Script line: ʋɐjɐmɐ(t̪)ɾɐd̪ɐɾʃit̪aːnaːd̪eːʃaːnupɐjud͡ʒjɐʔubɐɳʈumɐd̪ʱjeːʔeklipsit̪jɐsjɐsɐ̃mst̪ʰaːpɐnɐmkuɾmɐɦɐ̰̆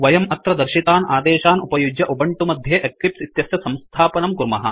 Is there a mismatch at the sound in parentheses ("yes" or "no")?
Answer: no